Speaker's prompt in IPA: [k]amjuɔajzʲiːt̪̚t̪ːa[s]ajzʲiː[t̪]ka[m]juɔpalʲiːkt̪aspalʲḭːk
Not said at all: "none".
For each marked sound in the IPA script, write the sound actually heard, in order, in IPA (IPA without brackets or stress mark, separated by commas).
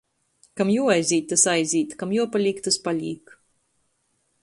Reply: k, s, t̪, m